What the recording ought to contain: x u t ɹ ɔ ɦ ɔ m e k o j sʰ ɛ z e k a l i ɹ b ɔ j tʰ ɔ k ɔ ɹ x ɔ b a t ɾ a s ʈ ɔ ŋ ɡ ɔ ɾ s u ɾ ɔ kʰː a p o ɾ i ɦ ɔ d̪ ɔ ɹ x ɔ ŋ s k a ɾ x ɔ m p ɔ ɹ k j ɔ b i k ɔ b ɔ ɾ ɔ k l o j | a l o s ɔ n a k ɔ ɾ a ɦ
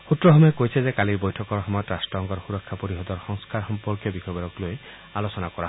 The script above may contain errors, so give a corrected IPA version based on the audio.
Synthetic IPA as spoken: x u t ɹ ɔ ɦ ɔ m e k o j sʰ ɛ z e k a l i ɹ b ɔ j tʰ ɔ k ɔ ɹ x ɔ m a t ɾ a s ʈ ɔ ŋ ɡ ɔ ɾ x u ɾ ɔ kʰː a p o ɾ i ɦ ɔ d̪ ɔ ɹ x ɔ ŋ s k a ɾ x ɔ m p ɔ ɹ k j ɔ b i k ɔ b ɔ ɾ ɔ k l o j | a l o s ɔ n a k ɔ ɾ a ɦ

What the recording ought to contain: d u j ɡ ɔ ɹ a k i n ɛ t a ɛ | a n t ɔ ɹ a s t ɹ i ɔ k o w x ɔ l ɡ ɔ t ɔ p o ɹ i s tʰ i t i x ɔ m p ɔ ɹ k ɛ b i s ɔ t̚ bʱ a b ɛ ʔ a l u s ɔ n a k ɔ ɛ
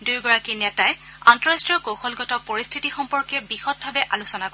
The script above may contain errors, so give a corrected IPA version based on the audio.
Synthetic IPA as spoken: d u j ɡ ɔ ɹ a k i n ɛ t a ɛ | a n t ɔ ɹ a s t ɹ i ɔ k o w x ɔ l ɡ ɔ t ɔ p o ɹ i s tʰ i t i x ɔ m p ɔ ɹ k ɛ b i x ɔ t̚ bʱ a b ɛ ʔ a l u s ɔ n a k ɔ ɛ

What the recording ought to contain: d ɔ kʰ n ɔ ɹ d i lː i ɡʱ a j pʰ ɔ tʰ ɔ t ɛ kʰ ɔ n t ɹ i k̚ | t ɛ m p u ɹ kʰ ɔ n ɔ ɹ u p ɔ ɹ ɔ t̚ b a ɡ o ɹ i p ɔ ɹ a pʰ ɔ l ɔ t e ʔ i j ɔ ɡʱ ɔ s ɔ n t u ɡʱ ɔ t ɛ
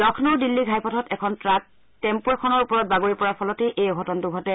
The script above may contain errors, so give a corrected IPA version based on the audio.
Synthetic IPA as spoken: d ɔ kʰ n ɔ ɹ d i lː i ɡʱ a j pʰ ɔ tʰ ɔ t ɛ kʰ ɔ n t ɹ a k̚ | t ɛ m p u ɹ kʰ ɔ n ɔ ɹ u p ɔ ɹ ɔ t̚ b a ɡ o ɹ i p ɔ ɹ a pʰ ɔ l ɔ t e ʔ e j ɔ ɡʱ ɔ t ɔ n t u ɡʱ ɔ t ɛ

